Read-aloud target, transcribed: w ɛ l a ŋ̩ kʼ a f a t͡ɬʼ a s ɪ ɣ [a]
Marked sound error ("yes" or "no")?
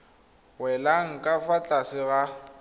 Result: no